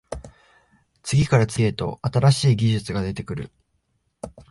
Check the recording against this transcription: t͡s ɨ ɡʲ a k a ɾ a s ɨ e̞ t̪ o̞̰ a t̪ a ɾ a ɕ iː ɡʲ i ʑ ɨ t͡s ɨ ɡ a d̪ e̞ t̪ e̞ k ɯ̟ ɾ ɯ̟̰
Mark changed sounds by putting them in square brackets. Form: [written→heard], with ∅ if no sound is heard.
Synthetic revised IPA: t͡s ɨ ɡʲ [a→i] k a ɾ a [s→t͡s] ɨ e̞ t̪ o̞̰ a t̪ a ɾ a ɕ iː ɡʲ i ʑ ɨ t͡s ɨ ɡ a d̪ e̞ t̪ e̞ k ɯ̟ ɾ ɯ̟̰